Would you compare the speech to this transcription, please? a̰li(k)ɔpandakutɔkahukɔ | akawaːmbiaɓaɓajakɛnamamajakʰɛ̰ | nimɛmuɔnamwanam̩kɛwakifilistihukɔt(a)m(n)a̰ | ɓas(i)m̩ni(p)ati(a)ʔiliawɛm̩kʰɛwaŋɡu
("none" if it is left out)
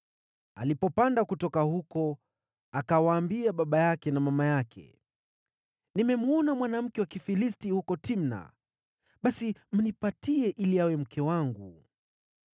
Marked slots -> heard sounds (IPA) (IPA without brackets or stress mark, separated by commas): p, i, n, i, p, ɛ